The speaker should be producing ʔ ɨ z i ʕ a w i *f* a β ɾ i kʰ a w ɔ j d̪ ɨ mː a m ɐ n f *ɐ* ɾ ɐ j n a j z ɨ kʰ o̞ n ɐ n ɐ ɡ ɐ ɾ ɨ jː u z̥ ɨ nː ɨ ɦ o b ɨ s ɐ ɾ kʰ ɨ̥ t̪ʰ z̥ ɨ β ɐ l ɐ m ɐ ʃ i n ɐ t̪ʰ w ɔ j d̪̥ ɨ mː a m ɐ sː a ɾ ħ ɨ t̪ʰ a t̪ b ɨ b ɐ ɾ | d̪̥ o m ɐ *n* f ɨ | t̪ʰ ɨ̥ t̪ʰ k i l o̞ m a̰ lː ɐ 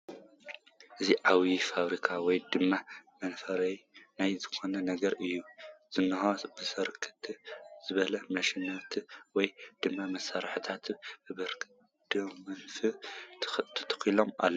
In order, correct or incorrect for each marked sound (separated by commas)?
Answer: correct, correct, correct